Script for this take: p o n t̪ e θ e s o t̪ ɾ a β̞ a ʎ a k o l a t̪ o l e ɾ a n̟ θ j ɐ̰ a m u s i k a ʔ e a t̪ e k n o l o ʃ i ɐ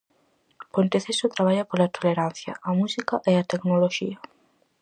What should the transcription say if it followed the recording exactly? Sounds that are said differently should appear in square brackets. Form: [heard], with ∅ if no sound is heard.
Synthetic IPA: p o n t̪ e θ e s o t̪ ɾ a β̞ a ʎ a [p] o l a t̪ o l e ɾ a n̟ θ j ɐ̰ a m u s i k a ʔ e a t̪ e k n o l o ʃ i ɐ